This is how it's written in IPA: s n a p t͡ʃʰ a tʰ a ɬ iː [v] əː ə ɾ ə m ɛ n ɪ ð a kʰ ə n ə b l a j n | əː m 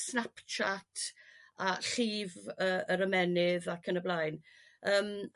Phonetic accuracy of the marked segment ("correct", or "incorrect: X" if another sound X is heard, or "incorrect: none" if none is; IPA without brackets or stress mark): correct